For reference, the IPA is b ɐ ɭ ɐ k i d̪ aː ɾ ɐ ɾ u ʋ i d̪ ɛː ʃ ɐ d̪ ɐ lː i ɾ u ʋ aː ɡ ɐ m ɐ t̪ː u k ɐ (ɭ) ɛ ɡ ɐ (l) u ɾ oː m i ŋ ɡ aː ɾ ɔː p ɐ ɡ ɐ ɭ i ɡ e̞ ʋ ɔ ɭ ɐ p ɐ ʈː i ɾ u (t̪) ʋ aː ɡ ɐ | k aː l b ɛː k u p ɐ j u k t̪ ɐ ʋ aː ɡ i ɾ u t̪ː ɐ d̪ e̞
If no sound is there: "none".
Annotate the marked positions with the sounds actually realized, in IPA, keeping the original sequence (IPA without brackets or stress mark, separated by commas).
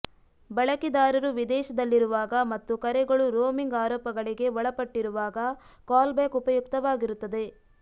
ɾ, ɭ, none